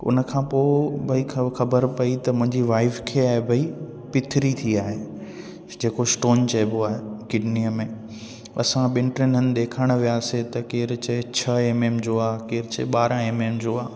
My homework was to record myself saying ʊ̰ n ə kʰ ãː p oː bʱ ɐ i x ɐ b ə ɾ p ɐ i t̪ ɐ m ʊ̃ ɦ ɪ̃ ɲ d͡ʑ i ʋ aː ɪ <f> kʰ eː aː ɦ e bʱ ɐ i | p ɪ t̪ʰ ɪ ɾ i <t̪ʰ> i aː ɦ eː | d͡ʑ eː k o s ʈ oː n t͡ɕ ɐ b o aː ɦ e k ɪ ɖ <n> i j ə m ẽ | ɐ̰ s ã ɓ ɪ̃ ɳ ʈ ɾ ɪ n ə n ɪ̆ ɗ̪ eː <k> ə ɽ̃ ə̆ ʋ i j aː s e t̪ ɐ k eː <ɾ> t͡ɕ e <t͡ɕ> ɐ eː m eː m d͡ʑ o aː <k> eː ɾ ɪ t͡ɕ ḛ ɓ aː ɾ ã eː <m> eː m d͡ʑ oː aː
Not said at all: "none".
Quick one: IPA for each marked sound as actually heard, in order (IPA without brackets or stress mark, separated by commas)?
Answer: f, t̪ʰ, n, kʰ, ɾ, t͡ɕʰ, k, m